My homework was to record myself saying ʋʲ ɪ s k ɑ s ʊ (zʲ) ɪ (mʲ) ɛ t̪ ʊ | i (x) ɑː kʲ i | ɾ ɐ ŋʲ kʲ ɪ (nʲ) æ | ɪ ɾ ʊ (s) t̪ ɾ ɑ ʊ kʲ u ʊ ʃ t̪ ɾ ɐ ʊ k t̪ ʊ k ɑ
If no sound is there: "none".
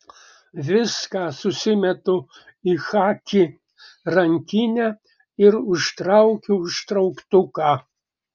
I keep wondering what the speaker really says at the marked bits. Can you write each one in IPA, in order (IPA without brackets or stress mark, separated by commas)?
sʲ, mʲ, x, nʲ, ʃ